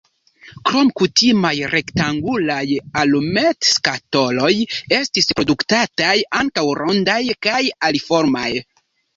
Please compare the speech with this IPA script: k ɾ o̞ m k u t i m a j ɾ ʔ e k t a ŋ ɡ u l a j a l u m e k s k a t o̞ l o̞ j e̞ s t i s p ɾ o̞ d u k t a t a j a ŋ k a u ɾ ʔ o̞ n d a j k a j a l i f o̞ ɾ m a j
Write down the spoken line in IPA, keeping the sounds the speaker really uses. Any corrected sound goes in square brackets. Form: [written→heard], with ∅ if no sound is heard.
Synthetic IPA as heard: k ɾ o̞ m k u t i m a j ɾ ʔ e k t a ŋ ɡ u l a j a l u m e [k→t] s k a t o̞ l o̞ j e̞ s t i s p ɾ o̞ d u k t a t a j a ŋ k a [u→w] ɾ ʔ o̞ n d a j k a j a l i f o̞ ɾ m a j